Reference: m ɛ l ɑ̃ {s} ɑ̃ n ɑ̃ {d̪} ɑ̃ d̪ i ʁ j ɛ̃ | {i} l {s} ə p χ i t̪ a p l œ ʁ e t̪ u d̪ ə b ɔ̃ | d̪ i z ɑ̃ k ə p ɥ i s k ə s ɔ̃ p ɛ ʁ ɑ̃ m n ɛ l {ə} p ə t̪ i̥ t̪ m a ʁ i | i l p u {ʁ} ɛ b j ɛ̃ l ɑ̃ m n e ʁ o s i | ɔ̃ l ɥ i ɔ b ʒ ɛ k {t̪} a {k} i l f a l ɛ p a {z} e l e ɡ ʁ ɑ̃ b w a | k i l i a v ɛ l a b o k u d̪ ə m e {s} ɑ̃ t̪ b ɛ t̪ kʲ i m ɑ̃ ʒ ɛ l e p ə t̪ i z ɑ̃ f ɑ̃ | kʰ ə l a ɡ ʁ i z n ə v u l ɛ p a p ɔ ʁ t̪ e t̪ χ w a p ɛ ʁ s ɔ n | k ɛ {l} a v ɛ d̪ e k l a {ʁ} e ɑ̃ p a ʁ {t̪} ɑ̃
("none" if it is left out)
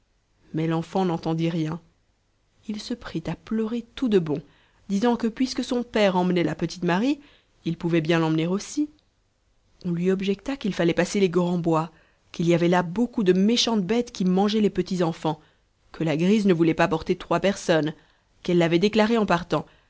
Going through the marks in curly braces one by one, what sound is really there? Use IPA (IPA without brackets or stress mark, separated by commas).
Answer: f, t̪, i, s, a, v, t̪, k, s, ʃ, lː, ʁ, t̪